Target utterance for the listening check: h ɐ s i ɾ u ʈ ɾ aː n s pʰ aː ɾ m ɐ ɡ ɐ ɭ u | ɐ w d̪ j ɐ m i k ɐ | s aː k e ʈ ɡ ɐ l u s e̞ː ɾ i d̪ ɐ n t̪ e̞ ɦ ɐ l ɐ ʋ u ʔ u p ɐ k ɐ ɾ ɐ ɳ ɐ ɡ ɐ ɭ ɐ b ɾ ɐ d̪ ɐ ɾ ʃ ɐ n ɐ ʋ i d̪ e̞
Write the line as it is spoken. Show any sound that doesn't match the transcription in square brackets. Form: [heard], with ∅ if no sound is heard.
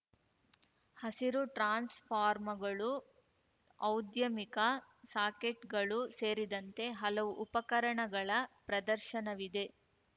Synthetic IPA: h ɐ s i ɾ u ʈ ɾ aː n s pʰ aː ɾ m ɐ ɡ ɐ ɭ u | ɐ w d̪ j ɐ m i k ɐ | s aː k e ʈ ɡ ɐ [ɭ] u s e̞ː ɾ i d̪ ɐ n t̪ e̞ ɦ ɐ l ɐ ʋ u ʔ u p ɐ k ɐ ɾ ɐ ɳ ɐ ɡ ɐ ɭ ɐ [p] ɾ ɐ d̪ ɐ ɾ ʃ ɐ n ɐ ʋ i d̪ e̞